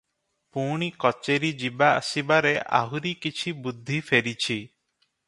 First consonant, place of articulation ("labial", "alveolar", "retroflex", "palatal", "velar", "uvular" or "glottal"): labial